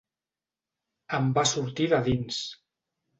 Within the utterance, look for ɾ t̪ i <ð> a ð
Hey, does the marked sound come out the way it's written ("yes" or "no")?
yes